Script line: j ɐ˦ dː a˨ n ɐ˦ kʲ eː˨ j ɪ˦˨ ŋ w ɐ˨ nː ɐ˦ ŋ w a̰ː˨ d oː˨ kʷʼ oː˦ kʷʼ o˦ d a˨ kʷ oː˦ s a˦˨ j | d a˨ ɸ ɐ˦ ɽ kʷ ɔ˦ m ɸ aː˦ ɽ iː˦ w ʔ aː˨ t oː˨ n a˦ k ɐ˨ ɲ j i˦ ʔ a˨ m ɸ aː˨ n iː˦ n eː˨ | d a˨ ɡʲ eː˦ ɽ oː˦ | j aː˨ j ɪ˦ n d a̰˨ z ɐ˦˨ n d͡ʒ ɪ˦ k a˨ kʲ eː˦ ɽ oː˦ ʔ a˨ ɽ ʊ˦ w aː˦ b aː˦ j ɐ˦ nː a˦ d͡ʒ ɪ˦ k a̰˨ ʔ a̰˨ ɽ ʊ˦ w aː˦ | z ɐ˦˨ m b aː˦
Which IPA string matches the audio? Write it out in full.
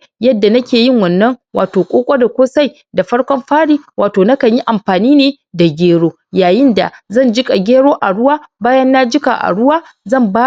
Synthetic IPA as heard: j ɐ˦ dː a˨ n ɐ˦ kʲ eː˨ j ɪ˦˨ ŋ w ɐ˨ nː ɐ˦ ŋ w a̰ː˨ t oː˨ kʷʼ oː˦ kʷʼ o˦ d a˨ kʷ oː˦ s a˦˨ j | d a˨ ɸ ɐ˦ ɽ kʷ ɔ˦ m ɸ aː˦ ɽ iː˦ w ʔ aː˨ t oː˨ n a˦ k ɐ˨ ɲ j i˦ ʔ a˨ m ɸ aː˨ n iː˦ n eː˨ | d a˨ ɡʲ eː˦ ɽ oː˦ | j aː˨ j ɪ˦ n d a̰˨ z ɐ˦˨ n d͡ʒ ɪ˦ kʼ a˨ ɡʲ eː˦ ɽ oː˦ ʔ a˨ ɽ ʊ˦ w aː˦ b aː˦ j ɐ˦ nː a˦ d͡ʒ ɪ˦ k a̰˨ ʔ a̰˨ ɽ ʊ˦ w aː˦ | z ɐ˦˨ m b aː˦